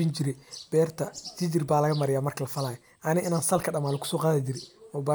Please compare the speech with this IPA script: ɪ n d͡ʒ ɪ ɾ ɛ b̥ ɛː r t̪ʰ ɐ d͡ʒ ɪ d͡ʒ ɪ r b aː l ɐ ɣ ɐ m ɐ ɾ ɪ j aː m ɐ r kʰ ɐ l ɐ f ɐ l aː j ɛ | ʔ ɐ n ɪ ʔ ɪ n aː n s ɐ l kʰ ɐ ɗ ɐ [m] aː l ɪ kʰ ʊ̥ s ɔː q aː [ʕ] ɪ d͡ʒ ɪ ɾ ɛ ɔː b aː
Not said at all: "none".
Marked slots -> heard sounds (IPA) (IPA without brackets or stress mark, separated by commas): m, ð